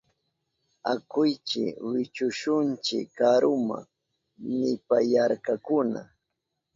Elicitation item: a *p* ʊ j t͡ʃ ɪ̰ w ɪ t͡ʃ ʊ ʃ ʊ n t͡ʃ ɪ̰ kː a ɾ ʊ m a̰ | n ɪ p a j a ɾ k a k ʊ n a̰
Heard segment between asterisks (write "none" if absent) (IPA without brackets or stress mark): k